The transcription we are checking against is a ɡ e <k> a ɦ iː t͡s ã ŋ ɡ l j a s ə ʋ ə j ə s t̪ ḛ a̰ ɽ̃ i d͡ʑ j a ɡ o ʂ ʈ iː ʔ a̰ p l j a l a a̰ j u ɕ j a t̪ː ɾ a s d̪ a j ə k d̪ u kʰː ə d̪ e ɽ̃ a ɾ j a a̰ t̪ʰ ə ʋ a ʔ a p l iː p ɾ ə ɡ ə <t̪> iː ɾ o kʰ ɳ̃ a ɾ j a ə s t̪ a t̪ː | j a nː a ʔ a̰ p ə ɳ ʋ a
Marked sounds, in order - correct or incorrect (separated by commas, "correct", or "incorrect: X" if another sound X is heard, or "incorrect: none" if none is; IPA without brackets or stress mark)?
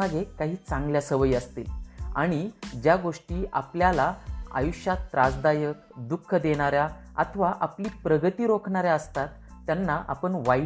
correct, correct